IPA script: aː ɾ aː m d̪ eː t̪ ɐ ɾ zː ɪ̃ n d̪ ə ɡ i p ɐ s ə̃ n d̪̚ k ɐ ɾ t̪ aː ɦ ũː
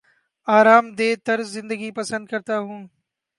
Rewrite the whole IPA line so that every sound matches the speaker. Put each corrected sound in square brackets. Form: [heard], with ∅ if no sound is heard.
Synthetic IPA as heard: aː ɾ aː m d̪ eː t̪ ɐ ɾ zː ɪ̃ n d̪ ə ɡ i p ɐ s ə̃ n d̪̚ k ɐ ɾ t̪ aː ɦ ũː